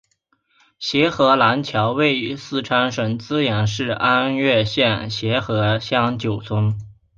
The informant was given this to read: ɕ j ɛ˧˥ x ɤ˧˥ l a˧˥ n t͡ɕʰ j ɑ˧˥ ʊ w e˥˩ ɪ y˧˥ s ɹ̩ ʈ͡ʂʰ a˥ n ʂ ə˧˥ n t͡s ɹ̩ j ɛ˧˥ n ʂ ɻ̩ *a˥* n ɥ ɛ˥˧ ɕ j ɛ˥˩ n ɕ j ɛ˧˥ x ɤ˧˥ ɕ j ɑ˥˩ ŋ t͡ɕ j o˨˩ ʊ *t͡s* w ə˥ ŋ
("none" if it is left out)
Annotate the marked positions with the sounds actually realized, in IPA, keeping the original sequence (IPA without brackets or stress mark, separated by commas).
a˥, t͡sʰ